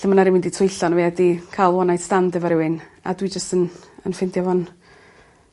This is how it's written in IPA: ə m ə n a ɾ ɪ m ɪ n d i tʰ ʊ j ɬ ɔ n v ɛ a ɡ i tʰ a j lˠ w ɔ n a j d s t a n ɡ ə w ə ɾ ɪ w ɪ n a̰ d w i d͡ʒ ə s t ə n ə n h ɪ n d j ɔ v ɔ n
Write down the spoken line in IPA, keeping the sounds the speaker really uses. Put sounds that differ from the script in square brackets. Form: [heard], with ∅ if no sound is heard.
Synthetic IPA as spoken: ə m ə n a ɾ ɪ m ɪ n d i tʰ ʊ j ɬ ɔ n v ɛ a [d] i [kʰ] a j lˠ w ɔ n a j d s t a n [d] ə [v] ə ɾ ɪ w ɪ n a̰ d w i d͡ʒ ə s t ə n ə n [f] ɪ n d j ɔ v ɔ n